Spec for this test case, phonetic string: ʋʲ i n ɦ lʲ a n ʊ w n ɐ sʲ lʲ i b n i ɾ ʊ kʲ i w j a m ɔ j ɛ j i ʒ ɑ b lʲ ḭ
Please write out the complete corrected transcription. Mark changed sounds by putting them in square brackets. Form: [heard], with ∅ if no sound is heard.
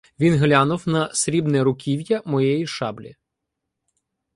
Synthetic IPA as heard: ʋʲ i n ɦ lʲ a n ʊ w n ɐ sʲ [ɾʲ] i b n [ɛ] ɾ ʊ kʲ i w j [ɐ] m ɔ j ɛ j i [ʃ] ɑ b lʲ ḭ